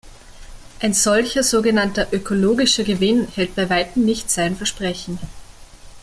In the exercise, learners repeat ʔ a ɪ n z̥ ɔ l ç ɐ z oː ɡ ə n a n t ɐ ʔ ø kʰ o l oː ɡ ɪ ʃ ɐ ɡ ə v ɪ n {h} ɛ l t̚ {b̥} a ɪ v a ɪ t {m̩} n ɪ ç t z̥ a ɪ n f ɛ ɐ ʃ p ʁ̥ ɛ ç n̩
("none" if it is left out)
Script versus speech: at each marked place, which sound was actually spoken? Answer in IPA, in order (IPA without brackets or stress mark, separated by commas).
h, b̥, m̩